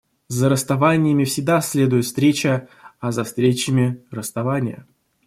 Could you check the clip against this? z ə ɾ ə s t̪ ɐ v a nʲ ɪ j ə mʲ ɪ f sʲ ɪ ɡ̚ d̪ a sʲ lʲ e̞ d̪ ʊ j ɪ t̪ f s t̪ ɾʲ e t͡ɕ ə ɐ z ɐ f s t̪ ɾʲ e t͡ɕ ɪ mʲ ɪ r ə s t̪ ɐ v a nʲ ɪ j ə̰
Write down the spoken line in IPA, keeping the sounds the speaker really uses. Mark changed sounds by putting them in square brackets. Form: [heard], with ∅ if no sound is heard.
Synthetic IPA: z ə ɾ ə s t̪ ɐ v a nʲ ɪ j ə mʲ ɪ f sʲ ɪ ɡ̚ d̪ a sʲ lʲ e̞ d̪ ʊ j ɪ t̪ f s t̪ ɾʲ e t͡ɕ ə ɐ z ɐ f s t̪ ɾʲ e t͡ɕ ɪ mʲ ɪ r ə s t̪ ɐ v a nʲ ɪ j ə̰